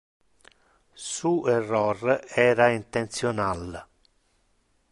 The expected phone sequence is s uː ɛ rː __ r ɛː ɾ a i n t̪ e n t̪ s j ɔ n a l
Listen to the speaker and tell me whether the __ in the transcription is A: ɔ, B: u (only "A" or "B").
A